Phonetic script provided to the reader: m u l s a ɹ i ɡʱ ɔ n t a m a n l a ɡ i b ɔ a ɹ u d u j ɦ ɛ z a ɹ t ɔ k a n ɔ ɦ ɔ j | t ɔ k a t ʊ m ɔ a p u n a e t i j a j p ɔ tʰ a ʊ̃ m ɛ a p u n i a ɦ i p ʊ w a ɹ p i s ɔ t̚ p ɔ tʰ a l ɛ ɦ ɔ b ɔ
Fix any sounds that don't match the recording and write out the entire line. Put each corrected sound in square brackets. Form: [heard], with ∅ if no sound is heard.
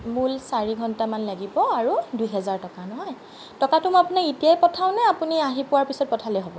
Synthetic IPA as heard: m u l s a ɹ i ɡʱ ɔ n t a m a n l a ɡ i b ɔ a ɹ u d u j ɦ ɛ z a ɹ t ɔ k a n ɔ ɦ ɔ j | t ɔ k a t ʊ m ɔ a p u n a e t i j a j p ɔ tʰ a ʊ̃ [n] ɛ a p u n i a ɦ i p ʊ w a ɹ p i s ɔ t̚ p ɔ tʰ a l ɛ ɦ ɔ b ɔ